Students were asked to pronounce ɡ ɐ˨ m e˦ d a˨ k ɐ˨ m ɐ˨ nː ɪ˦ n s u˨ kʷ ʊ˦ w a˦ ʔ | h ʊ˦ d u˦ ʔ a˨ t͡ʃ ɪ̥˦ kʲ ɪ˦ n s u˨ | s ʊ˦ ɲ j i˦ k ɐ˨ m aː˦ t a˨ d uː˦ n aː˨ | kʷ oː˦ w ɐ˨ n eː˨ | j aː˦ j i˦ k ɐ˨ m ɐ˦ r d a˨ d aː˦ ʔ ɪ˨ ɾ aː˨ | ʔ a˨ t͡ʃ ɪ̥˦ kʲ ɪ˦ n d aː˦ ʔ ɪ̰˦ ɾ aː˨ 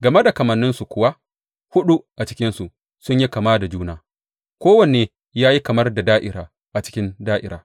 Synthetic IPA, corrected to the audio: ɡ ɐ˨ m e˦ d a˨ k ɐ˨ m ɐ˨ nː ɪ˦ n s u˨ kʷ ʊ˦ w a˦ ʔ | h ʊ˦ ɗ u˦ ʔ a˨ t͡ʃ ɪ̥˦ kʲ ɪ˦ n s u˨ | s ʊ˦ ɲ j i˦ k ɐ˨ m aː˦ d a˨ d͡ʒ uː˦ n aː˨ | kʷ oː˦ w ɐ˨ n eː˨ | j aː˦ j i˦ k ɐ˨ m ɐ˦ r d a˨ d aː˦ ʔ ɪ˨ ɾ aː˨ | ʔ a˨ t͡ʃ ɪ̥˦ kʲ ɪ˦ n d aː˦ ʔ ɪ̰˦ ɾ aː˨

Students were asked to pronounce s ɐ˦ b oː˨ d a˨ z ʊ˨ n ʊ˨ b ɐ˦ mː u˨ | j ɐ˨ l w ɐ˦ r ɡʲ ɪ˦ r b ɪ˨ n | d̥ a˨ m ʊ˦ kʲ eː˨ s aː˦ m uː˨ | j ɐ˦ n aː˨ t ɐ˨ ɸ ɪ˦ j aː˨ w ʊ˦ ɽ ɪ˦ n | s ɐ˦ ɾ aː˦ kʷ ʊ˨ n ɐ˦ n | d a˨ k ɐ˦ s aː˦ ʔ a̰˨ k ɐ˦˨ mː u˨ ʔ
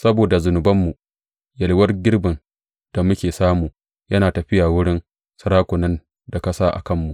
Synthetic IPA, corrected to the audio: s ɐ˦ b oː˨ d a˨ z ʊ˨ n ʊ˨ b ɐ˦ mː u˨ | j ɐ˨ l w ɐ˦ r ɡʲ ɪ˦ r b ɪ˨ n | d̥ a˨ m ʊ˦ kʲ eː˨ s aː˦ m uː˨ | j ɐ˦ n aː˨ t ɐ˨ ɸ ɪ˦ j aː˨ w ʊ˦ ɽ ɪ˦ n | s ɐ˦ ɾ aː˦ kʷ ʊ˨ n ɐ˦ n | d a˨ k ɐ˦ s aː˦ ʔ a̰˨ k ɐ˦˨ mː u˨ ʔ

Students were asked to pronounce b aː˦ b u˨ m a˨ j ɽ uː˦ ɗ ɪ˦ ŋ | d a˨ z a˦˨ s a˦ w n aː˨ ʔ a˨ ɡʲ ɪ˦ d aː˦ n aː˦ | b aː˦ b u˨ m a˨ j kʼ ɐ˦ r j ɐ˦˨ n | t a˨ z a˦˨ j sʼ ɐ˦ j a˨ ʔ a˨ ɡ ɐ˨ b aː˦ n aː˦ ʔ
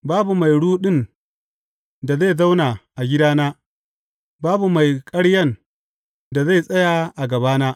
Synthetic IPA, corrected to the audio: b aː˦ b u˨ m a˨ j ɽ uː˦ ɗ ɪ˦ n | d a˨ z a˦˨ z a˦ w n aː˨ ʔ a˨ ɡʲ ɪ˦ d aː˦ n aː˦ | b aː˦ b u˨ m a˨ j kʼ ɐ˦ ɽ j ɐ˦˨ n | d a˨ z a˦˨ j sʼ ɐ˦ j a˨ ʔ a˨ ɡ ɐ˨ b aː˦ n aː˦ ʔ

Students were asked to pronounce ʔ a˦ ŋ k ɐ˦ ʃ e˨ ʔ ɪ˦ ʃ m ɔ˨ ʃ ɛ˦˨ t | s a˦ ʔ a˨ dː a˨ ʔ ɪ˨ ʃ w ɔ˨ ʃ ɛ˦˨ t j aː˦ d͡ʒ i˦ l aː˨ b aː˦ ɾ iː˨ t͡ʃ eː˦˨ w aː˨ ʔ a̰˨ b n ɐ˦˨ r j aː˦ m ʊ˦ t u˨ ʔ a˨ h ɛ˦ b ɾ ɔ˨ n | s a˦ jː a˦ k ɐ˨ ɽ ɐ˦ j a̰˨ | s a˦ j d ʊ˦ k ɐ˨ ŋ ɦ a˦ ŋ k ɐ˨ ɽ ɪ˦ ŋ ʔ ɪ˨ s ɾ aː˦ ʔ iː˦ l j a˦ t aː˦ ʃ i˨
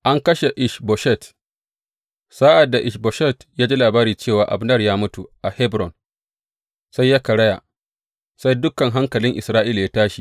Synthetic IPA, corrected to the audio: ʔ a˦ ŋ k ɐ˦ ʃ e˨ ʔ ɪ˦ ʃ b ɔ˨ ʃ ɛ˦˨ t | s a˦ ʔ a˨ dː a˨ ʔ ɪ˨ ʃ b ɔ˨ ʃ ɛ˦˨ t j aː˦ d͡ʒ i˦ l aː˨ b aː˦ ɾ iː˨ t͡ʃ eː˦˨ w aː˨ ʔ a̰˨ b n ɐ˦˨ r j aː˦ m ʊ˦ t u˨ ʔ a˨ h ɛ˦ b ɾ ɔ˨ n | s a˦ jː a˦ k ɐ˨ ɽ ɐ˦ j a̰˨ | s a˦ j d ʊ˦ k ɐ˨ ŋ ɦ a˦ ŋ k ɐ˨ l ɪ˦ ŋ ʔ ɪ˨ s ɾ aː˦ ʔ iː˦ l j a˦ t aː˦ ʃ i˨

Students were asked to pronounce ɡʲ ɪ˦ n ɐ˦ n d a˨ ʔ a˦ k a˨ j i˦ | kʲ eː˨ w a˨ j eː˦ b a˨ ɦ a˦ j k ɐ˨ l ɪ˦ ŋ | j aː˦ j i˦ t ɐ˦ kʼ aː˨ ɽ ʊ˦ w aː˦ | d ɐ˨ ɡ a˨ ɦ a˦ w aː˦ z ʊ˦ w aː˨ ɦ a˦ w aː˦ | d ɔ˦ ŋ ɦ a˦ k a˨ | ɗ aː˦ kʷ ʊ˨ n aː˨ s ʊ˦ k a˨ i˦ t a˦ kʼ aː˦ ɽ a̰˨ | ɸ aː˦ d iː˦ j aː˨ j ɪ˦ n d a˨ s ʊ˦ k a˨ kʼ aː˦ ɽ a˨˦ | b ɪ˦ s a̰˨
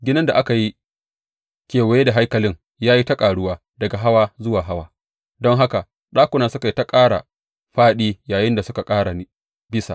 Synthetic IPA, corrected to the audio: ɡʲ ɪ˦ n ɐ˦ n d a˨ ʔ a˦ k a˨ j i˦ | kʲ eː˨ w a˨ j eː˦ d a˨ ɦ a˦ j k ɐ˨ l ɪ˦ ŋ | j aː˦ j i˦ t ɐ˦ kʼ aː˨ ɽ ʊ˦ w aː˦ | d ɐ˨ ɡ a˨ ɦ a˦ w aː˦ z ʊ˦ w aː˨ ɦ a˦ w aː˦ | d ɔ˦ ŋ ɦ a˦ k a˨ | ɗ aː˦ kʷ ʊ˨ n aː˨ s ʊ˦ k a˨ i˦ t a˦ kʼ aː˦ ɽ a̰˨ | ɸ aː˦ ɗ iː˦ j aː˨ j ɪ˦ n d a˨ s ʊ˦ k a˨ kʼ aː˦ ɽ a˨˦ | b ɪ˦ s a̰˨

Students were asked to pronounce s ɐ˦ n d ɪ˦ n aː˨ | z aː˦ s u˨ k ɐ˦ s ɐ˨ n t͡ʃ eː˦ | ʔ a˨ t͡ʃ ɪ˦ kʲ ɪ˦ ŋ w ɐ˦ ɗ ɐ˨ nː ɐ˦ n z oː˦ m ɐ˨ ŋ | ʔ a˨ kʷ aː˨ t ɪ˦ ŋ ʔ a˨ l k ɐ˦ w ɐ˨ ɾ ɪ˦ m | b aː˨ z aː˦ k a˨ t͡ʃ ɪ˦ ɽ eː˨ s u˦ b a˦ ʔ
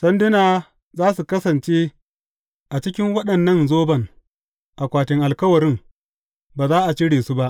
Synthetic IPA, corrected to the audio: s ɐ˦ n d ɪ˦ n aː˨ | z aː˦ s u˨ k ɐ˦ s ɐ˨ n t͡ʃ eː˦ | ʔ a˨ t͡ʃ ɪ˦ kʲ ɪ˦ ŋ w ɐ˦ ɗ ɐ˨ nː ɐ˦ n z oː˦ b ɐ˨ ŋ | ʔ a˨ kʷ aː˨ t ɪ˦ ŋ ʔ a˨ l k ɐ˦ w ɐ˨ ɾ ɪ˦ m | b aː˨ z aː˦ ʔ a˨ t͡ʃ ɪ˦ ɽ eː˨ s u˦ b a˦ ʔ

